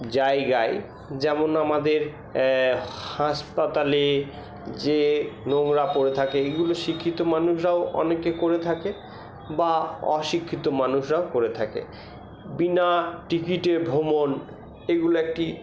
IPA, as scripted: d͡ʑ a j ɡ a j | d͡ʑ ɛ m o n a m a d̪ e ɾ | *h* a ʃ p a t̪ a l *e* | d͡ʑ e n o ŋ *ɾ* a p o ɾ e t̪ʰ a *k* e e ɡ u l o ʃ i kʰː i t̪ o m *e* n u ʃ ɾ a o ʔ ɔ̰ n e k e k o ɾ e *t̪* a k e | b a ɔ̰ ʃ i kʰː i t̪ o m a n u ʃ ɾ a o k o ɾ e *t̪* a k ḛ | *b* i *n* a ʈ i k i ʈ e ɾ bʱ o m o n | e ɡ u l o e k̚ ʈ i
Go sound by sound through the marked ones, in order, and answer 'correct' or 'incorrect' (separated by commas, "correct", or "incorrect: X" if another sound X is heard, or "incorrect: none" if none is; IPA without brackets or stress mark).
correct, correct, correct, correct, incorrect: a, incorrect: t̪ʰ, incorrect: t̪ʰ, correct, correct